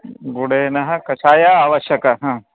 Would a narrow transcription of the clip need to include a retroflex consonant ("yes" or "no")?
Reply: yes